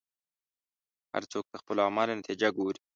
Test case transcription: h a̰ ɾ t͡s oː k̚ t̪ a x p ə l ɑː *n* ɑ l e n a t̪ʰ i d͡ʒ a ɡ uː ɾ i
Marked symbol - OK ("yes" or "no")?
no